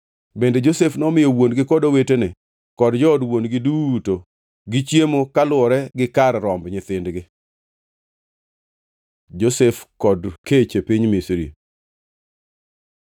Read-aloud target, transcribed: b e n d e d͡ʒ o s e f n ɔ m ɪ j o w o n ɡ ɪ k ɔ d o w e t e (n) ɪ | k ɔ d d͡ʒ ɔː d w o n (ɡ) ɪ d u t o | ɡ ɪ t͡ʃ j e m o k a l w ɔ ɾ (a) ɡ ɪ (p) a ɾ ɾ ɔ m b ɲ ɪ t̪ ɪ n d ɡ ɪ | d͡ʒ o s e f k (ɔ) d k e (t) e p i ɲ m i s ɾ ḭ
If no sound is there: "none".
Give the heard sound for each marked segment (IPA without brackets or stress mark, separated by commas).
n, ɡ, ɛ, k, ɔ, t͡ʃ